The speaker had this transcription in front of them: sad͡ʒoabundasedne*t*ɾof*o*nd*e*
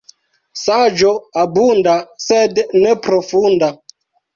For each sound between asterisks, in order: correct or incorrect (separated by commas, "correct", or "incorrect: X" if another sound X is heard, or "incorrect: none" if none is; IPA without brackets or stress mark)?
incorrect: p, incorrect: u, incorrect: a